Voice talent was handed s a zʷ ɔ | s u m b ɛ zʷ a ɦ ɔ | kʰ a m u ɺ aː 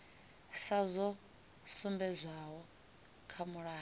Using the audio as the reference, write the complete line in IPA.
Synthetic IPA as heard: s a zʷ ɔ | s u m b ɛ zʷ a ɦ ɔ | kʰ a m u ɺ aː